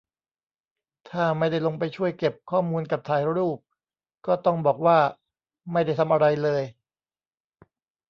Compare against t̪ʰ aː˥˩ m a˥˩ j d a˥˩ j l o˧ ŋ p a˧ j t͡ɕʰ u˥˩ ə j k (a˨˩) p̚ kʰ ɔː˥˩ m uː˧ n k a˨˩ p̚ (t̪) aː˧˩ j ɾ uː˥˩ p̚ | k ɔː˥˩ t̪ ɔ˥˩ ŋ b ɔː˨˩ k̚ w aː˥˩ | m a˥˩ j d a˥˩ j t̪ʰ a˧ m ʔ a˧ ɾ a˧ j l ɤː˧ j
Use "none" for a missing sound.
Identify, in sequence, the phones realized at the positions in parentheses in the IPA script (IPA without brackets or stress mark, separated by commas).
e˨˩, t̪ʰ